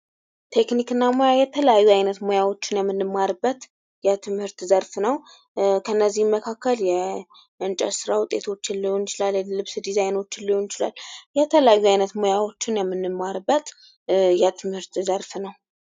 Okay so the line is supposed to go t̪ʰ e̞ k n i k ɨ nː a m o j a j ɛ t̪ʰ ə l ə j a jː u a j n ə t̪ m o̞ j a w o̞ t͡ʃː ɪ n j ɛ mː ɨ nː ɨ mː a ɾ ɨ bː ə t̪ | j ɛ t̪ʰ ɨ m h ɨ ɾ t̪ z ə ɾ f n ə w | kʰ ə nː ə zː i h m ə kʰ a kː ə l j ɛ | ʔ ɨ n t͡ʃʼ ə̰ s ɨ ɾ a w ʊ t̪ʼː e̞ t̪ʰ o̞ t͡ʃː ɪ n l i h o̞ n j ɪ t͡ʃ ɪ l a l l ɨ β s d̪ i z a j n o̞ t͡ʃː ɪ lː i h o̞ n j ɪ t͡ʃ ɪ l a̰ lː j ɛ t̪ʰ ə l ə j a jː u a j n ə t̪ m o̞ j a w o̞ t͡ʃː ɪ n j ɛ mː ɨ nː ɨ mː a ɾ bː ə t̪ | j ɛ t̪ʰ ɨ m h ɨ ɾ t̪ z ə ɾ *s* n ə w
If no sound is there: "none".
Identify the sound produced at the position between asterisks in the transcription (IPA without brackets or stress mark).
f